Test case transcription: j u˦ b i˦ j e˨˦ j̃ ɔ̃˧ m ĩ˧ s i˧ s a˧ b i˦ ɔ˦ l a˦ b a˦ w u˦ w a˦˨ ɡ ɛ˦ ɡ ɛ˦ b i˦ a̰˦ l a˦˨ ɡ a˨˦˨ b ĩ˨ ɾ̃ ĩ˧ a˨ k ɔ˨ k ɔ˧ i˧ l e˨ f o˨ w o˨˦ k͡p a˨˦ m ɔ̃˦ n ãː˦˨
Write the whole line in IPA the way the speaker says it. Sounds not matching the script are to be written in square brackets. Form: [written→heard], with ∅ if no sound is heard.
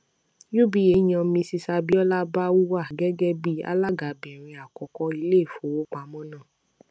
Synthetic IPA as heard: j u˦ b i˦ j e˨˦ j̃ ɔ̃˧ m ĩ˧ s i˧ s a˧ b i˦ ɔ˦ l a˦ b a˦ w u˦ w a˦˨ ɡ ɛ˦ ɡ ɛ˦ b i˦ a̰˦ l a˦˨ ɡ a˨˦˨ b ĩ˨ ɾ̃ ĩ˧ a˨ k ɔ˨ k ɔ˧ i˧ l [e˨→e˦˨] f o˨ w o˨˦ k͡p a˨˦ m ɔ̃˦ n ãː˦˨

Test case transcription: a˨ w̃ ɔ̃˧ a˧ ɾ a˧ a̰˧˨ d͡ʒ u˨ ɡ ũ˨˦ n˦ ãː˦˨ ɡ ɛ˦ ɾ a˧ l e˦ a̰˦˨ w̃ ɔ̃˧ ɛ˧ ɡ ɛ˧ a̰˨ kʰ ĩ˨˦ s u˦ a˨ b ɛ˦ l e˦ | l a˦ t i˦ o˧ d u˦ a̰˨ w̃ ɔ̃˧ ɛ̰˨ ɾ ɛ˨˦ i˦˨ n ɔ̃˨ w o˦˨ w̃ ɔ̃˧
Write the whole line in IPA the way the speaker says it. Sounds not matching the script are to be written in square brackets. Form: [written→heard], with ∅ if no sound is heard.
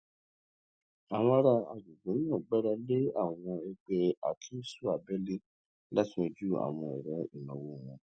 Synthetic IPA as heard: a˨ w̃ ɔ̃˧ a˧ ɾ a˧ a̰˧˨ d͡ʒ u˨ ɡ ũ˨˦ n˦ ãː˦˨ [ɡ→ɡ͡b] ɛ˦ ɾ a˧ l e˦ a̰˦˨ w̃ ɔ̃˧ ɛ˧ [ɡ→ɡ͡b] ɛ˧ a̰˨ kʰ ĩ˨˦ s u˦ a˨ b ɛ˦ l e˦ | l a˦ t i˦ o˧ [d→d͡ʒ] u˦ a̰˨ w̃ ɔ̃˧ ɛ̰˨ ɾ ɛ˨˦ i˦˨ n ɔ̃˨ w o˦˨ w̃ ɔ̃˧

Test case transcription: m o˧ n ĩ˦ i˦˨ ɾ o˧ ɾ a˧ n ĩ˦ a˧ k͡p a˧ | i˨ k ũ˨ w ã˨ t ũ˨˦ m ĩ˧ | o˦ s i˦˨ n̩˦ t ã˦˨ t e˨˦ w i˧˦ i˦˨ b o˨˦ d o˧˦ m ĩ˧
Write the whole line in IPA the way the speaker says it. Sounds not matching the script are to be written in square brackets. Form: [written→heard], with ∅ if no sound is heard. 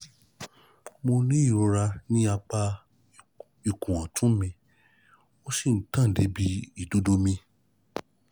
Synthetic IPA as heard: m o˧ n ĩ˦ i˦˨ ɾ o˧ ɾ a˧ n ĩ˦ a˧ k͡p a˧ | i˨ k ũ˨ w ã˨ t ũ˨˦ m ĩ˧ | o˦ s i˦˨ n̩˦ t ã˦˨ [t→d] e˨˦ [w→b] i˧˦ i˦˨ [b→d] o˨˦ d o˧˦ m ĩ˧

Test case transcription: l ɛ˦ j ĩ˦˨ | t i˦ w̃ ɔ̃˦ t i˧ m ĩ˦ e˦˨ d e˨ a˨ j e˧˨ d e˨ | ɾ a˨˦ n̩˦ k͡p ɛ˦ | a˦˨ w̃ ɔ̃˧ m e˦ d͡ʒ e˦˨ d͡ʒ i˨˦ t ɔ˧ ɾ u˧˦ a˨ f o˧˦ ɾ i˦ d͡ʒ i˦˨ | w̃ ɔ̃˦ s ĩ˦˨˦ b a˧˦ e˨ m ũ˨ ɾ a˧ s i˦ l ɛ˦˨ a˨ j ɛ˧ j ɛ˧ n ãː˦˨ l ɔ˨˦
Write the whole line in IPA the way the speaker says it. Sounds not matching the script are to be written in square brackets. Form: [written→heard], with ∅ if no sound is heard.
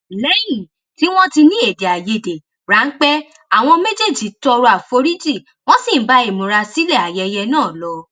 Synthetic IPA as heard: l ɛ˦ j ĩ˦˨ | t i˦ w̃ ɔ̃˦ t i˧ [m→n] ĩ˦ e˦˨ d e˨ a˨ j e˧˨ d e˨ | ɾ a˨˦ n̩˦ k͡p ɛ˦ | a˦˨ w̃ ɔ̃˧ m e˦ d͡ʒ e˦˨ d͡ʒ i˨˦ t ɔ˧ ɾ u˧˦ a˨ f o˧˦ ɾ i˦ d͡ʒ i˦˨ | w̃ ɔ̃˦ s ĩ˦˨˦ b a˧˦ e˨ m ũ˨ ɾ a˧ s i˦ l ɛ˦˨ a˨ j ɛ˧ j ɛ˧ n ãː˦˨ l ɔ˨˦

